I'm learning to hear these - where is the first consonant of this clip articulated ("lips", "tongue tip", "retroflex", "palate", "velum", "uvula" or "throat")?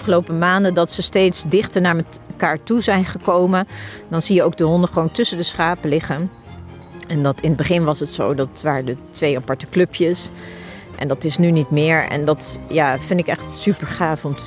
lips